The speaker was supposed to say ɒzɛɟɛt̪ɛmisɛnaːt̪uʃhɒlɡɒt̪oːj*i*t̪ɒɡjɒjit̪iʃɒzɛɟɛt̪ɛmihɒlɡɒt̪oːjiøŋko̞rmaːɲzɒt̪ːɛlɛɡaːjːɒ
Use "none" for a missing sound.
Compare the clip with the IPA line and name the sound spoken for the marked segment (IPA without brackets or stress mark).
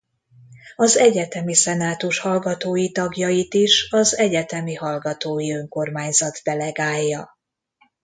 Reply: i